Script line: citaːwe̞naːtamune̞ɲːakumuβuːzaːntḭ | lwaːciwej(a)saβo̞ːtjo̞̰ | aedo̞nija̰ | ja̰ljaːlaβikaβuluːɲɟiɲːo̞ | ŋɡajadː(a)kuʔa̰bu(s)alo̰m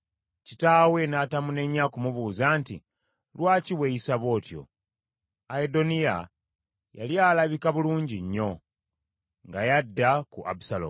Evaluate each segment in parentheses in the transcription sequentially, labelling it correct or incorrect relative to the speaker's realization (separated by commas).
incorrect, correct, correct